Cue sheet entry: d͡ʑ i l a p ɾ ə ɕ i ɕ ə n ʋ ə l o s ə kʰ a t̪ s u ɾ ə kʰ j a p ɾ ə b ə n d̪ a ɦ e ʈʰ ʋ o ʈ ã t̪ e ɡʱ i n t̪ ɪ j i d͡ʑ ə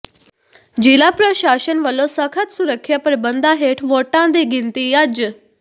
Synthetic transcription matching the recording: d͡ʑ i l a p ɾ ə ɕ a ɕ ə n ʋ ə l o s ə kʰ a t̪ s u ɾ ə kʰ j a p ɾ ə b ə n d̪ a ɦ e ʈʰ ʋ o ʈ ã d̪ e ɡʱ i n t̪ i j a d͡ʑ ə